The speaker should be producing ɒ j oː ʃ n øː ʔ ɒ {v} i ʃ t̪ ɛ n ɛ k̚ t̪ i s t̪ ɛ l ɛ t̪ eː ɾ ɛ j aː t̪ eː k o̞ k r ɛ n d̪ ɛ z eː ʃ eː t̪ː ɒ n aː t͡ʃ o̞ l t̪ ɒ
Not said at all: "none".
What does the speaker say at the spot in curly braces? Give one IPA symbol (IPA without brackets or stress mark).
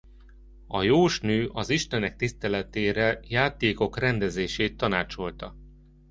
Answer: z